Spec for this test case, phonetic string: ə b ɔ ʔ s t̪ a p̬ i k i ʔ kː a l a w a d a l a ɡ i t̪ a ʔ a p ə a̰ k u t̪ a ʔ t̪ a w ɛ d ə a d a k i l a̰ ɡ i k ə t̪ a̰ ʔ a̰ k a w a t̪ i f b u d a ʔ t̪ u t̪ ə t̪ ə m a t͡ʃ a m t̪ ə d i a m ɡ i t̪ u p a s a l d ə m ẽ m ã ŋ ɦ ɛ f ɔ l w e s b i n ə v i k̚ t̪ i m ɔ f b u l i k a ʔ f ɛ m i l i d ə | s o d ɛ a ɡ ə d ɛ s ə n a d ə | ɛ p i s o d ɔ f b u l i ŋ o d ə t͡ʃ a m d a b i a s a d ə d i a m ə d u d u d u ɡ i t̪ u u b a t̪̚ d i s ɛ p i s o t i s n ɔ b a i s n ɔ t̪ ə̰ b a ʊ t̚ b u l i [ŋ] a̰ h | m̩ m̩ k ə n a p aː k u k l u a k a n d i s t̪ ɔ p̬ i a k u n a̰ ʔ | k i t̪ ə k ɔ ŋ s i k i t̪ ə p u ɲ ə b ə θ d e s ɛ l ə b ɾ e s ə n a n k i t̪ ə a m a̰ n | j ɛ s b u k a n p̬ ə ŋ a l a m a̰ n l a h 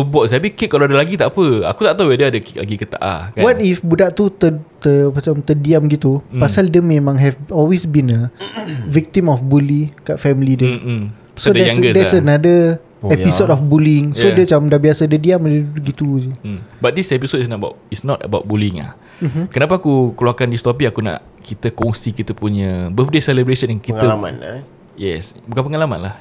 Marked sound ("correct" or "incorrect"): correct